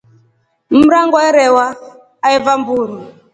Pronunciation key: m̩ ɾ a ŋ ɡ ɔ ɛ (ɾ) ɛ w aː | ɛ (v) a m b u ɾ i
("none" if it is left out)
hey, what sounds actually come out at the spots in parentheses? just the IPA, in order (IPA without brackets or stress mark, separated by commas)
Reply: ɾ, v